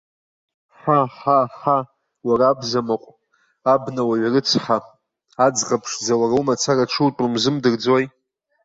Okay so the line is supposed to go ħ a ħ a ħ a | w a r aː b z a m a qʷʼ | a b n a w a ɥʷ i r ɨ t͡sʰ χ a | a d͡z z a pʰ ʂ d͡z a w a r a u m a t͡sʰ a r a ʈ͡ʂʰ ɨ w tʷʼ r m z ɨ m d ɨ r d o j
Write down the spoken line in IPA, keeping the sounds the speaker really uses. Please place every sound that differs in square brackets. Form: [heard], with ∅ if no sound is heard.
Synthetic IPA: ħ a ħ a ħ a | w a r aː b z a m a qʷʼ | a b n a w a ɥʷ [a] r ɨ t͡sʰ [ħ] a | a d͡z [ʁ] a pʰ ʂ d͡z a w a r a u m a t͡sʰ a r a ʈ͡ʂʰ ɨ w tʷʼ r m z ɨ m d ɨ r [d͡z] o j

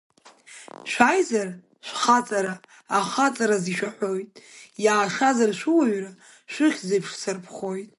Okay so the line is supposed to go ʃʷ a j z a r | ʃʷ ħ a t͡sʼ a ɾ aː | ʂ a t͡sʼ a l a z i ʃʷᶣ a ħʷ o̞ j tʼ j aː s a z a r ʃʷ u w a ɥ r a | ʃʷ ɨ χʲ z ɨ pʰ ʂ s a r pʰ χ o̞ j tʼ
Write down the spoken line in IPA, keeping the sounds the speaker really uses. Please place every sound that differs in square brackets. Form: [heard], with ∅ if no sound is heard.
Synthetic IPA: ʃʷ a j z a r | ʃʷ [χ] a t͡sʼ a ɾ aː | [χ] a t͡sʼ a [ɾ] a z i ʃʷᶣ a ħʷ o̞ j tʼ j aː [ʂ] a z a r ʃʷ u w a ɥ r a | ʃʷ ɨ χʲ z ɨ pʰ ʂ s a r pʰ χ o̞ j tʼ

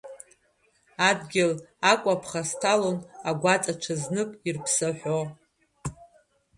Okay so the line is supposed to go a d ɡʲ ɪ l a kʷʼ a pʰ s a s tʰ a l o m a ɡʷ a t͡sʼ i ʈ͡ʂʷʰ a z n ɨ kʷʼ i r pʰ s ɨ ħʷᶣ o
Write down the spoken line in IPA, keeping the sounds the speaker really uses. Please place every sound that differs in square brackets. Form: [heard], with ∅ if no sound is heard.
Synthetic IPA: a d ɡʲ ɪ l a kʷʼ a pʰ [χ] a s tʰ a l o [n] a ɡʷ a t͡sʼ [a] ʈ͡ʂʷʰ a z n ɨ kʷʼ i r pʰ s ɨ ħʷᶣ o

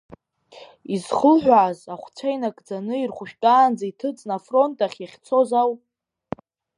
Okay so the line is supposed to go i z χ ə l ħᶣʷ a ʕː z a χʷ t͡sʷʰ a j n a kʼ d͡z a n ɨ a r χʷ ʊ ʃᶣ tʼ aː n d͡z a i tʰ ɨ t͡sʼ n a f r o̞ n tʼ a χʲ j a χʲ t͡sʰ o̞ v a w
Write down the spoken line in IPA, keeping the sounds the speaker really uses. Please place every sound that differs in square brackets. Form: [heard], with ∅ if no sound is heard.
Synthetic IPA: i z χ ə l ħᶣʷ a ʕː z a χʷ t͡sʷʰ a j n a kʼ d͡z a n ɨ [i] r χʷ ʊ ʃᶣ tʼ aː n d͡z a i tʰ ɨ t͡sʼ n a f r o̞ n tʼ a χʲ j a χʲ t͡sʰ o̞ [z] a w

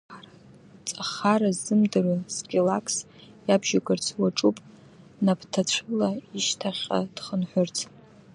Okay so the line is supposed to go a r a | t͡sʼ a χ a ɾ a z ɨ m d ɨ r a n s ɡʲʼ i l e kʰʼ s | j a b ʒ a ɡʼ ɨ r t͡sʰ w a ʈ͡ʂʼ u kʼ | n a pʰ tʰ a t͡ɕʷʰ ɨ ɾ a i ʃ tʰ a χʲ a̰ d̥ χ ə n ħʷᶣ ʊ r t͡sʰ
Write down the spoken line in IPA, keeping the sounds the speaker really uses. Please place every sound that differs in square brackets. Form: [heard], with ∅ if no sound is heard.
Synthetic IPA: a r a | t͡sʼ a χ a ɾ a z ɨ m d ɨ r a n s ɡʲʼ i l [a] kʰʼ s | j a b ʒ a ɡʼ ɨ r t͡sʰ w a ʈ͡ʂʼ u [pʼ] | n a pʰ tʰ a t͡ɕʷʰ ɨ [l] a i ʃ tʰ a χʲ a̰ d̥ χ ə n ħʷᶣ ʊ r t͡sʰ

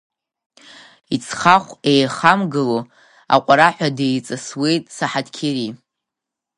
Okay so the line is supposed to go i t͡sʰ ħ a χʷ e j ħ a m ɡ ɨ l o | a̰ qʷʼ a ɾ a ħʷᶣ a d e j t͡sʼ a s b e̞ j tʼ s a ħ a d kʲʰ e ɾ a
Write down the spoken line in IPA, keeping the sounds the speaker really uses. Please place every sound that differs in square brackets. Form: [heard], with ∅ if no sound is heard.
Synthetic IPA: i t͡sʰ [χ] a χʷ e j [χ] a m ɡ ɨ l o | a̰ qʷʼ a ɾ a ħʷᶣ a d e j t͡sʼ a s [w] e̞ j tʼ s a ħ a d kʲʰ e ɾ [i]

